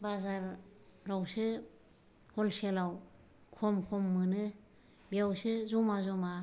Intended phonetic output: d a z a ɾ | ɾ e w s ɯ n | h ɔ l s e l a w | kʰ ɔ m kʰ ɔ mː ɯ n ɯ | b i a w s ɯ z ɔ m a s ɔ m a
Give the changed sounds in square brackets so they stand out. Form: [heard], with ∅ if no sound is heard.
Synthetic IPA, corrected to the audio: [b] a z a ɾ | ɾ [a] w s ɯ [∅] | h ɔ l s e l a w | kʰ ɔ m kʰ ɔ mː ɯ n ɯ | b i a w s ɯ z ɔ m a [z] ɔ m a